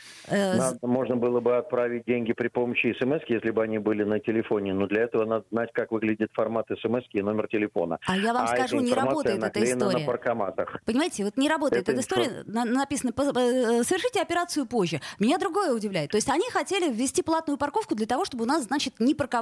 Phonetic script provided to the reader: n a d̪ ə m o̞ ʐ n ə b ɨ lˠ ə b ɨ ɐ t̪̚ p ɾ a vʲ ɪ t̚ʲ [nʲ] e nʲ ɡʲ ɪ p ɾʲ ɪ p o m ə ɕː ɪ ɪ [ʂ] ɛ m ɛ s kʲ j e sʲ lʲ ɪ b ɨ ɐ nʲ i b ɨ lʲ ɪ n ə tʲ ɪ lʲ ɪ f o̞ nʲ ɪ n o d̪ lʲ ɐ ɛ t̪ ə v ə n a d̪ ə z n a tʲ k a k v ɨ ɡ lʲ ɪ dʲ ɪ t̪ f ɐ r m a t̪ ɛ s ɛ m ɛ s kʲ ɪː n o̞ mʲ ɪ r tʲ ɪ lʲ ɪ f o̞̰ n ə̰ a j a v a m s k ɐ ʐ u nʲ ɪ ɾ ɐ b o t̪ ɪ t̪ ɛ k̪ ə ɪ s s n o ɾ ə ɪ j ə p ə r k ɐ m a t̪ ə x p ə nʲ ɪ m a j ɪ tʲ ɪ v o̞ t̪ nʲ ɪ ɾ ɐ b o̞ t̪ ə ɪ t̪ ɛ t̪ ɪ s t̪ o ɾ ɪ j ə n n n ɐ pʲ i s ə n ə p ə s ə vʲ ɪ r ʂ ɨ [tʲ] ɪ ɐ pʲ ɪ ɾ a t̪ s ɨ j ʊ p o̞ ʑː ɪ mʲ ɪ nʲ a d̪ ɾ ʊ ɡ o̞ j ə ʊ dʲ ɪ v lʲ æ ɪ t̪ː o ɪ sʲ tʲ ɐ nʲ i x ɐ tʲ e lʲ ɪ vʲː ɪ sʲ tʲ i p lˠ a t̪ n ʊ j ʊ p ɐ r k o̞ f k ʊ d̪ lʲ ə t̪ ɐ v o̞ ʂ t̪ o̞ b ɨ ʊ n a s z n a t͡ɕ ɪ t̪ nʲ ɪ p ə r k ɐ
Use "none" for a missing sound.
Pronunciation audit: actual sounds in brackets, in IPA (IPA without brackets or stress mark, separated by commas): dʲ, s, tʲ